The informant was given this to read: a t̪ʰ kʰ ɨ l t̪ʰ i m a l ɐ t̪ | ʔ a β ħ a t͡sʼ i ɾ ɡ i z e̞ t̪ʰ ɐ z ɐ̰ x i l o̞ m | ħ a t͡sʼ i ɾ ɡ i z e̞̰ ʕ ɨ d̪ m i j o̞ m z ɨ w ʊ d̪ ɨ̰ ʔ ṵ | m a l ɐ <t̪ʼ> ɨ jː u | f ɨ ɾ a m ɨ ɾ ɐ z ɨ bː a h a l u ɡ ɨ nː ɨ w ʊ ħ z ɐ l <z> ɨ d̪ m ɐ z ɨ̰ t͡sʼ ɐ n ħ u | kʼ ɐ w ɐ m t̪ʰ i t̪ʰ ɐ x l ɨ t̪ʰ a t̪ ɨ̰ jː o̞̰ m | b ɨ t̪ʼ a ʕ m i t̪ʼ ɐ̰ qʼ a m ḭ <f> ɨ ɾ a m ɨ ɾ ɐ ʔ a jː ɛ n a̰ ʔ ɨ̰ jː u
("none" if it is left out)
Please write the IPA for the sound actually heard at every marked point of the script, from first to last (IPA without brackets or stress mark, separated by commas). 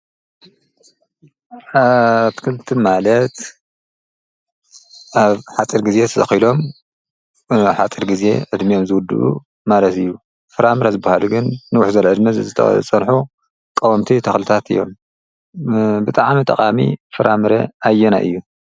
t̪, ʕ, f